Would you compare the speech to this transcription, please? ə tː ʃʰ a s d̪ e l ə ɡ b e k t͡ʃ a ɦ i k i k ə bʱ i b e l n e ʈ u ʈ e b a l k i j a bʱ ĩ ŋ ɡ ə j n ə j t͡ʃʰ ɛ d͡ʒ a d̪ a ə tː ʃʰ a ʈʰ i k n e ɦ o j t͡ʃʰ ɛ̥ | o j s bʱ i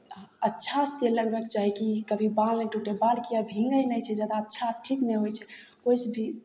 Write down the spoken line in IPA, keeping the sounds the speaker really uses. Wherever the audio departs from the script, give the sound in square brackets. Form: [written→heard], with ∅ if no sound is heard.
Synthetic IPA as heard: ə tː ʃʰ a s [d̪→t̪] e l ə ɡ b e k t͡ʃ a ɦ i k i k ə bʱ i b [e→a] l n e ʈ u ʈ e b a l k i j a bʱ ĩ ŋ ɡ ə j n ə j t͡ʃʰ ɛ d͡ʒ a d̪ a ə tː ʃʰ a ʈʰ i k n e ɦ o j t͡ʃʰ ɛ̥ | o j s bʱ i